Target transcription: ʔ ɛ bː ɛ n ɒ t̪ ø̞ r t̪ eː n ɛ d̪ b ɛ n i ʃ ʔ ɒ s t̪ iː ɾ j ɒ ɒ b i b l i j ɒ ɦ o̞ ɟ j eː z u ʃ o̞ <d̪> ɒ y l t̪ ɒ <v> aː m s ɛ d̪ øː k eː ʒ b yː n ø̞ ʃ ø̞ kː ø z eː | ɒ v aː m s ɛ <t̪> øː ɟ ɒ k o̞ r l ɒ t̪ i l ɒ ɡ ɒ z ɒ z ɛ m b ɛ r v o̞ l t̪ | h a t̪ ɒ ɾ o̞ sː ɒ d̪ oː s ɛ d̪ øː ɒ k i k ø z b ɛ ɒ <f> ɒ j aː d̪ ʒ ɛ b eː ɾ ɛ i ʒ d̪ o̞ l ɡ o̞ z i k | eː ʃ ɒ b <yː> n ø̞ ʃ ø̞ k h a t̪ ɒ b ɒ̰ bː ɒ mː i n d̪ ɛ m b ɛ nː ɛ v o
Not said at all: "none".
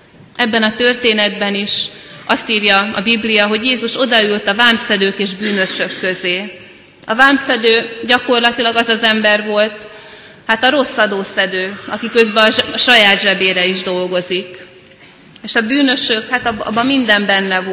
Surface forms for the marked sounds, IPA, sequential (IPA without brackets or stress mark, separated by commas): d̪, v, d̪, ʃ, yː